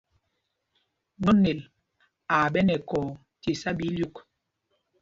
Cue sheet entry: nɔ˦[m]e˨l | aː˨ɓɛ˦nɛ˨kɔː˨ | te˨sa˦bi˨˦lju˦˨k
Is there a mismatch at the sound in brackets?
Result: yes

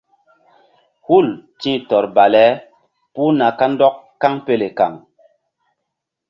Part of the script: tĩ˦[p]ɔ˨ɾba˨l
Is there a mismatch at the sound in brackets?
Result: yes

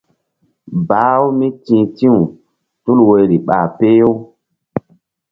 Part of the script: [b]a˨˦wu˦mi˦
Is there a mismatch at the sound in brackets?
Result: no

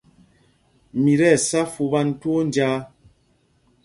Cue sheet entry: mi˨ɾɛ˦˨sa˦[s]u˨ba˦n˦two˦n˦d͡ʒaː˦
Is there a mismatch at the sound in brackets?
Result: yes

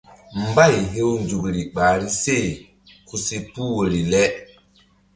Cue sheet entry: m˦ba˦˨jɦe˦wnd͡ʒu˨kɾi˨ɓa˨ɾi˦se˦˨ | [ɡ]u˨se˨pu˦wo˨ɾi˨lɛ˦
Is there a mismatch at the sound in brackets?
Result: yes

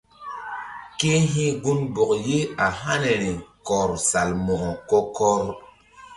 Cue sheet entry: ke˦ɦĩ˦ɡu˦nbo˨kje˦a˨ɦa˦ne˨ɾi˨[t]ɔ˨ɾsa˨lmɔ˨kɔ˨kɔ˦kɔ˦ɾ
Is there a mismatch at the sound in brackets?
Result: yes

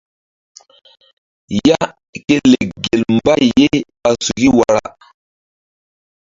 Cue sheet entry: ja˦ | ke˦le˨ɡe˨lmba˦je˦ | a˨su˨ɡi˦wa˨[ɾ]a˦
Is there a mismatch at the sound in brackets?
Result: no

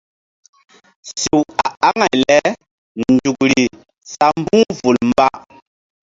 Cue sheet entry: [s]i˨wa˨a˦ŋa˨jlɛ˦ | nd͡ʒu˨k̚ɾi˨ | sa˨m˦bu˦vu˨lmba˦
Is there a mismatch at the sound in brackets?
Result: no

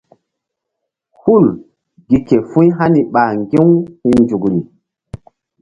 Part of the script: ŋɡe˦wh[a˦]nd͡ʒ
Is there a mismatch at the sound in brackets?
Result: yes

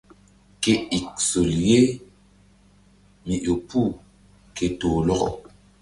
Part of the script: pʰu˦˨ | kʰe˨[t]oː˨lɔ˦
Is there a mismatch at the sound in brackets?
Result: no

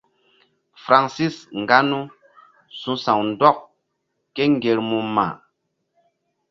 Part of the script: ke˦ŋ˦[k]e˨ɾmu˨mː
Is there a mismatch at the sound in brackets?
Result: yes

